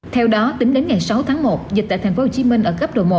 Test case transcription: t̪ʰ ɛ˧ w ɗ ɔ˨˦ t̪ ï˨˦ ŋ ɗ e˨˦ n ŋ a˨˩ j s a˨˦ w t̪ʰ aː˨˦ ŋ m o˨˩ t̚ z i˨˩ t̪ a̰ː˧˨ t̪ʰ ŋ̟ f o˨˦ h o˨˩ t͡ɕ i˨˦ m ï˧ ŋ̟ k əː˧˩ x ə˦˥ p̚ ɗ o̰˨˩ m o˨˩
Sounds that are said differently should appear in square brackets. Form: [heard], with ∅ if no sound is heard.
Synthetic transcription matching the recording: t̪ʰ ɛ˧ w ɗ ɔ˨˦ t̪ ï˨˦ ŋ ɗ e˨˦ n ŋ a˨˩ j s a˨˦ w t̪ʰ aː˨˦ ŋ m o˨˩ t̚ z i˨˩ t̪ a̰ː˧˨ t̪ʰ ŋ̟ f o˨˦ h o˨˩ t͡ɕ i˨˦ m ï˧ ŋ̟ [ʔ] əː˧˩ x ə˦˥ p̚ ɗ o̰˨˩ m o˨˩